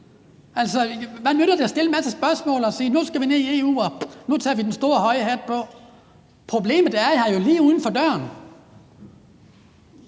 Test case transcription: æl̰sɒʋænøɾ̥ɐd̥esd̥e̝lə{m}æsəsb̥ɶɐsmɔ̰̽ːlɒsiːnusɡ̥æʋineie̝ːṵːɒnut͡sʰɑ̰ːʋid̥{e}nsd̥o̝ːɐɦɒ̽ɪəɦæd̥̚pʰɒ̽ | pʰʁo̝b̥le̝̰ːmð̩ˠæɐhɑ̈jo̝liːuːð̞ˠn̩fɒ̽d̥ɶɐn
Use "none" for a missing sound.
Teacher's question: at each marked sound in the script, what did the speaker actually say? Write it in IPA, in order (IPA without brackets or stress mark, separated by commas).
m, e